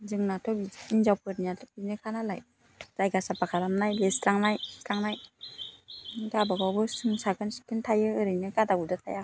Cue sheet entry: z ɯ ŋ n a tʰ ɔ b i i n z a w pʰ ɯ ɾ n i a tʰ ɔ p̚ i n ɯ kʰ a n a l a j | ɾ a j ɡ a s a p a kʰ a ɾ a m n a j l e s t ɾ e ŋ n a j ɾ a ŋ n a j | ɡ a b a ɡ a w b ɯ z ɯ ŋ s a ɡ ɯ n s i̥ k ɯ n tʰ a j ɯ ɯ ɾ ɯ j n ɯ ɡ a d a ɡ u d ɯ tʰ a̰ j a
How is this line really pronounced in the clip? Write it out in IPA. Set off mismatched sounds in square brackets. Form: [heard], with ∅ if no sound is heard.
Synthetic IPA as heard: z ɯ ŋ n a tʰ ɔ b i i n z a w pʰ ɯ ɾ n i a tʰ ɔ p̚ i n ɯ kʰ a n a l a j | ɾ a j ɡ a s a p a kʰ a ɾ a m n a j l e s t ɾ [a] ŋ n a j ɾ a ŋ n a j | ɡ a b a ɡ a w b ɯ [s] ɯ ŋ s a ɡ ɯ n s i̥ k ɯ n tʰ a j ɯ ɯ ɾ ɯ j n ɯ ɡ a d a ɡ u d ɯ tʰ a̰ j a